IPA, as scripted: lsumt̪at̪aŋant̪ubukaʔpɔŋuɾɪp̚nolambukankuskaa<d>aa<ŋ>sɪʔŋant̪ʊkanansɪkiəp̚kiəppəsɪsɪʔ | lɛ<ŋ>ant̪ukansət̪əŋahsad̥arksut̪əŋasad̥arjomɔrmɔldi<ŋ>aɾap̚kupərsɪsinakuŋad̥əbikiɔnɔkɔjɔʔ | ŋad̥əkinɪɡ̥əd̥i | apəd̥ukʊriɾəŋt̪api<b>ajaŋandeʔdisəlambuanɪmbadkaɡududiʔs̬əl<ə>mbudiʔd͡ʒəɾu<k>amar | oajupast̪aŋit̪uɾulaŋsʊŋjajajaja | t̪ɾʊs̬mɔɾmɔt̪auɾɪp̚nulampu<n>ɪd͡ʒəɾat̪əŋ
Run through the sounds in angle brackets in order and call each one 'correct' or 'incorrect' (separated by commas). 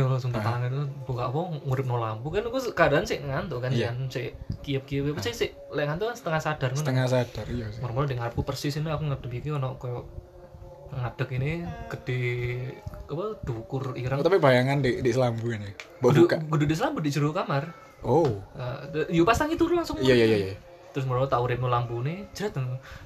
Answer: correct, incorrect, correct, correct, correct, incorrect, correct, correct